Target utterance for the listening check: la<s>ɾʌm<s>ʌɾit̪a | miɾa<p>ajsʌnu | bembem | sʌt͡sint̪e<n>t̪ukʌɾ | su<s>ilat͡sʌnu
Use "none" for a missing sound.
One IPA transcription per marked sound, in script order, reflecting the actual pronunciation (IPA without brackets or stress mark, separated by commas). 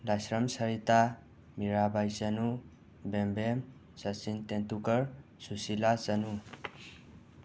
s, s, b, n, s